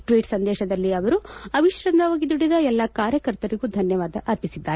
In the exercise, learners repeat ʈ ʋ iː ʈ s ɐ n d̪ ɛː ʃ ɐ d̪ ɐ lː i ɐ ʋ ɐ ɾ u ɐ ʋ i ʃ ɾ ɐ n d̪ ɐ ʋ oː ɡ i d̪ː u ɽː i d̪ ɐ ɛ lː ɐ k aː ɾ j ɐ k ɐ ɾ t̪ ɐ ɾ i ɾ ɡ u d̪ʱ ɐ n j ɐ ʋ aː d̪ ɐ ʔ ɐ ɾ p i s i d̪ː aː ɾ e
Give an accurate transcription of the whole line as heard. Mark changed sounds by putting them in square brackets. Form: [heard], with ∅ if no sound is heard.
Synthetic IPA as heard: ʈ ʋ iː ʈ s ɐ n d̪ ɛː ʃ ɐ d̪ ɐ lː i ɐ ʋ ɐ ɾ u ɐ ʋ i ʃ ɾ ɐ n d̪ ɐ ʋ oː ɡ i [d̪] u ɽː i d̪ ɐ ɛ lː ɐ k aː ɾ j ɐ k ɐ ɾ t̪ ɐ ɾ i [∅] ɡ u d̪ʱ ɐ n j ɐ ʋ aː d̪ ɐ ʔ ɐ ɾ p i s i d̪ː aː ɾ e

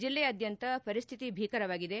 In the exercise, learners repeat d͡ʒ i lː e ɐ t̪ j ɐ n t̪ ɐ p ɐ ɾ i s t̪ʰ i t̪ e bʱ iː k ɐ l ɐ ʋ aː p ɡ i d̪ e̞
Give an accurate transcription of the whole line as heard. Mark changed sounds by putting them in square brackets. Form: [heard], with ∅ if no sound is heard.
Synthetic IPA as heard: d͡ʒ i lː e ɐ [d̪] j ɐ n t̪ ɐ p ɐ ɾ i s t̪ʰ i t̪ [i] bʱ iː k ɐ [ɾ] ɐ ʋ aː [∅] ɡ i d̪ e̞

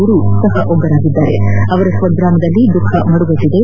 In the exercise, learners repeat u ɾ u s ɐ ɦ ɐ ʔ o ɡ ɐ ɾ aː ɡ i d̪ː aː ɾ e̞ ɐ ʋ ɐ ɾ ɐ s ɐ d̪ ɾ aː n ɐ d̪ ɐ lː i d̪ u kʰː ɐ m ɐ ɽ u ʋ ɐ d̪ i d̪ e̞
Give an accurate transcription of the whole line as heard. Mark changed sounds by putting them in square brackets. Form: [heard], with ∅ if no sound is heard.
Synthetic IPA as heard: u ɾ u s ɐ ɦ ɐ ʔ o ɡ ɐ ɾ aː ɡ i d̪ː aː ɾ e̞ ɐ ʋ ɐ ɾ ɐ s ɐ d̪ ɾ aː [m] ɐ d̪ ɐ lː i d̪ u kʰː ɐ m ɐ ɽ u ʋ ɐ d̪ i d̪ e̞

